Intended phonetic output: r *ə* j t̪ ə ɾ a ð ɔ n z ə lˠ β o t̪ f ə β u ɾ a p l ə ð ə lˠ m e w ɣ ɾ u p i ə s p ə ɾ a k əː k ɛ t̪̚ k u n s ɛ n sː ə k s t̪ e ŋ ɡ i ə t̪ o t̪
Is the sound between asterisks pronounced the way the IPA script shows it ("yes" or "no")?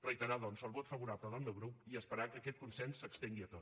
yes